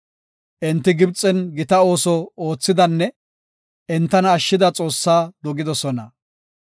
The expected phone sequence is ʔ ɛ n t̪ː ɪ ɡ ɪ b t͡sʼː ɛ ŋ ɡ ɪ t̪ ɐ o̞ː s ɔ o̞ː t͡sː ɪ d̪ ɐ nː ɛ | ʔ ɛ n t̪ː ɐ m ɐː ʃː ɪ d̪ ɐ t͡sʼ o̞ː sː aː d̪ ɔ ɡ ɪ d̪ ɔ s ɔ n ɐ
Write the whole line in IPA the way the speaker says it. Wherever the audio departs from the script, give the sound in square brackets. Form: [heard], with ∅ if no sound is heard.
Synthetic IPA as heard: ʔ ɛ n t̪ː ɪ ɡ ɪ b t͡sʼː ɛ [n] ɡ ɪ t̪ ɐ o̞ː s ɔ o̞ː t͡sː ɪ d̪ ɐ nː ɛ | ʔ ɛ n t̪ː ɐ [n] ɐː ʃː ɪ d̪ ɐ t͡sʼ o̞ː sː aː d̪ ɔ ɡ ɪ d̪ ɔ s ɔ n ɐ